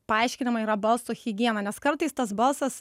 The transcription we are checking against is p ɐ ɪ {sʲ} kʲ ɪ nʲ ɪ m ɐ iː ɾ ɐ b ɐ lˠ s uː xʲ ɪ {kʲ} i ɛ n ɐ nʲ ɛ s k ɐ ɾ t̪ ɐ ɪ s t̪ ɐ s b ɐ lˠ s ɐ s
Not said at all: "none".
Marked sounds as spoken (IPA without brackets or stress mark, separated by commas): ʃʲ, ɡʲ